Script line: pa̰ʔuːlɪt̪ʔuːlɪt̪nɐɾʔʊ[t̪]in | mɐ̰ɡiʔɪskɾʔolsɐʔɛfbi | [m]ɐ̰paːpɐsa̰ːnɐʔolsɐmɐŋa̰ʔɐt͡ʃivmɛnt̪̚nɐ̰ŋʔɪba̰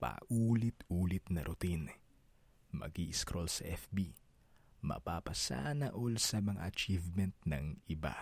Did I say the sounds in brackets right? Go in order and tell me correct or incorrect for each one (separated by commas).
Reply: correct, correct